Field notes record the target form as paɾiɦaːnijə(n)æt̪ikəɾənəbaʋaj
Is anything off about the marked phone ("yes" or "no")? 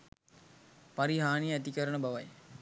yes